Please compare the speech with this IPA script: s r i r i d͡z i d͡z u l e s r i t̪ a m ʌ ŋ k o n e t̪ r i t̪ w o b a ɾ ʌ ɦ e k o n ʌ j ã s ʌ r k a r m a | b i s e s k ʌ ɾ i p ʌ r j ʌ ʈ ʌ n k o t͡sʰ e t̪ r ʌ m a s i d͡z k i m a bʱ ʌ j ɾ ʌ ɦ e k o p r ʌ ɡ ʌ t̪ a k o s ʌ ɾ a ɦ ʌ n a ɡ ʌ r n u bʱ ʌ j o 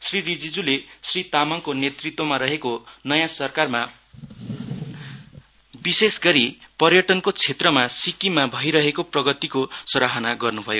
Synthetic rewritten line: s r i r i d͡z i d͡z u l e s r i t̪ a m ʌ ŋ k o n e t̪ r i t̪ w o m a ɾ ʌ ɦ e k o n ʌ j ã s ʌ r k a r m a | b i s e s ɡ ʌ ɾ i p ʌ r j ʌ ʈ ʌ n k o t͡sʰ e t̪ r ʌ m a s i k i m a bʱ ʌ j ɾ ʌ ɦ e k o p r ʌ ɡ ʌ t̪ i k o s ʌ ɾ a ɦ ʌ n a ɡ ʌ r n u bʱ ʌ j o